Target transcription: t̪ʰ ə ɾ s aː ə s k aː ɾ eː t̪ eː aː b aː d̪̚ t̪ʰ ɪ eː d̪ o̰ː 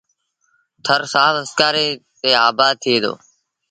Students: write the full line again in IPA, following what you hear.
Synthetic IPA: t̪ʰ ə ɾ s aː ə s k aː ɾ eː t̪ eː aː b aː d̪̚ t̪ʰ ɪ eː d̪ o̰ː